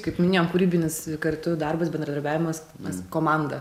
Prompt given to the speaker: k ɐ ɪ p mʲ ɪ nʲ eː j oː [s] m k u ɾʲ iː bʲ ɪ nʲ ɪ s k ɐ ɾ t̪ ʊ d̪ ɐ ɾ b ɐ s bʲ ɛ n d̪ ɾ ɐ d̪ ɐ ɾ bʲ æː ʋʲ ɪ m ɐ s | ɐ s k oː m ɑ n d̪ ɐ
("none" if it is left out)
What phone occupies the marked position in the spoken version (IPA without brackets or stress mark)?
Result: none